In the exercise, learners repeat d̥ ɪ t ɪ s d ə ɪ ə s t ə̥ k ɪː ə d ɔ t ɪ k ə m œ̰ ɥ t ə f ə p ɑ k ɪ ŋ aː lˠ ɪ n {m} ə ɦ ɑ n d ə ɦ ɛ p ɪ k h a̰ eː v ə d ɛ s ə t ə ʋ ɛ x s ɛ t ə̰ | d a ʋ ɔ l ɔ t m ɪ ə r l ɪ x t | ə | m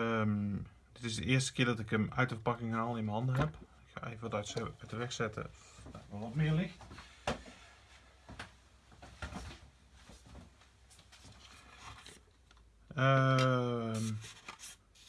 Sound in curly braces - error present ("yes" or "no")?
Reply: no